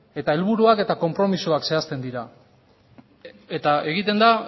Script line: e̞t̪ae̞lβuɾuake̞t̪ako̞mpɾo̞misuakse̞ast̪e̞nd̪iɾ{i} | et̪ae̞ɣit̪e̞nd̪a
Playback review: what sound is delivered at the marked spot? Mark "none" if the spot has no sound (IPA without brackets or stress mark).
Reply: a